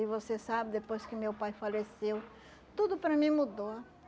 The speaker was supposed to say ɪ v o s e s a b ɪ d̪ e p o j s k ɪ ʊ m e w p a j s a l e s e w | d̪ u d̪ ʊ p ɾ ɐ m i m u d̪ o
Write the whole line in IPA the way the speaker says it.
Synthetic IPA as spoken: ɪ v o s e s a b ɪ d̪ e p o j s k ɪ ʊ m e w p a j f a l e s e w | t̪ u d̪ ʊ p ɾ ɐ m ĩ m u d̪ o